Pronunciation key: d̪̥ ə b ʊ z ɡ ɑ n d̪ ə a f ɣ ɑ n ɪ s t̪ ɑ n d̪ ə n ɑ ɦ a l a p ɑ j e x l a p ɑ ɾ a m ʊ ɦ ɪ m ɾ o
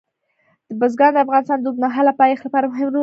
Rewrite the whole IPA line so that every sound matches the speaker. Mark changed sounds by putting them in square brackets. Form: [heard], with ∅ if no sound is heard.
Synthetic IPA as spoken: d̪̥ ə b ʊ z ɡ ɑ n d̪ ə a f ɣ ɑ n ɪ s t̪ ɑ n d̪ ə n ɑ ɦ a l a p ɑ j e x l a p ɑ ɾ a m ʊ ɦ ɪ m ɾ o